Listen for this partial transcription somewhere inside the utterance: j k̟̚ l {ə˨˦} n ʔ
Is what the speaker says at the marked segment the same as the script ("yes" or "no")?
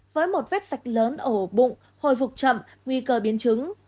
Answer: no